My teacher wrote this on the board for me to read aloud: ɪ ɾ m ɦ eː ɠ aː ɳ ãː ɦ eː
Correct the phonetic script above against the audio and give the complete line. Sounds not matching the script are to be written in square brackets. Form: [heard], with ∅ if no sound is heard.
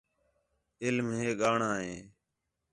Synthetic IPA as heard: ɪ [l] m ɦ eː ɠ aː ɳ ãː ɦ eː